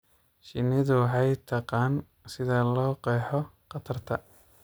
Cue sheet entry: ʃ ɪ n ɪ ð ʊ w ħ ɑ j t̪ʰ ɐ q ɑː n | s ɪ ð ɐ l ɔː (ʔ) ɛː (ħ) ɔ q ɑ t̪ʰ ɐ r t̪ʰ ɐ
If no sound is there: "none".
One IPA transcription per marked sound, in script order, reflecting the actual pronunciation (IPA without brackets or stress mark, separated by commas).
q, ħ